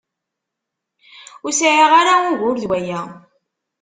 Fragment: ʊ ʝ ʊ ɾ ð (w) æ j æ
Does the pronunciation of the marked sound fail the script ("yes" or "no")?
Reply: no